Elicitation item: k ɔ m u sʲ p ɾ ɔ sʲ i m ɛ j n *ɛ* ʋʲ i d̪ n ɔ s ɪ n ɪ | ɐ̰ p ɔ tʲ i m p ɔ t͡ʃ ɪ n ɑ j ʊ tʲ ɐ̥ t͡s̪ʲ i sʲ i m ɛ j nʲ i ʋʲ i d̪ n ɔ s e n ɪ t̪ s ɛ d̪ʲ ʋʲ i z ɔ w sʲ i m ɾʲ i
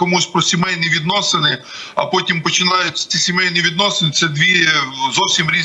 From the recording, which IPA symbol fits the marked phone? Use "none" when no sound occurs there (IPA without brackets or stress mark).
i